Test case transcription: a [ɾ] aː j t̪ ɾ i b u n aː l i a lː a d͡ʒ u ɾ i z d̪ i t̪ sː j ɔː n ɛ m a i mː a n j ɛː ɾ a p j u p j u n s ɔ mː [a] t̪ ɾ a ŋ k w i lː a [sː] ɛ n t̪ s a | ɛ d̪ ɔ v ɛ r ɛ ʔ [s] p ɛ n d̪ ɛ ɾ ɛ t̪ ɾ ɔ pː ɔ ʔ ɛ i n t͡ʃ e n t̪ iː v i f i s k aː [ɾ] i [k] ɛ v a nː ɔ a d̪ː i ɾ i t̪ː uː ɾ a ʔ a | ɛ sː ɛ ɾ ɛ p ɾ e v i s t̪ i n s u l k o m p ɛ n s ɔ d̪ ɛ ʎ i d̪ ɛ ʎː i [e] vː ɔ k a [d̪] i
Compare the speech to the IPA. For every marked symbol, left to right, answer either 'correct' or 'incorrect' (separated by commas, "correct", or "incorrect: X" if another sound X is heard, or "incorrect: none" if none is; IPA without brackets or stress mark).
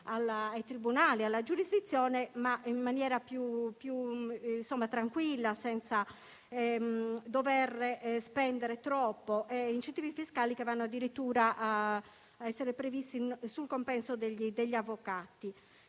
incorrect: l, correct, incorrect: s, correct, incorrect: l, correct, incorrect: a, incorrect: t̪